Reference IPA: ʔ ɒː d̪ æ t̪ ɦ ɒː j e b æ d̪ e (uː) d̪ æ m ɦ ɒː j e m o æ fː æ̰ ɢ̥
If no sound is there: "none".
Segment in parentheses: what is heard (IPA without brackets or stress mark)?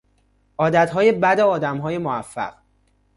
ɒː